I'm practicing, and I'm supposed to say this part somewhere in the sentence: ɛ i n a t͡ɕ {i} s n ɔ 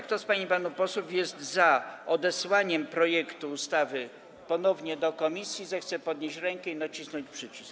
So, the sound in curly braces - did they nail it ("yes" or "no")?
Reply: yes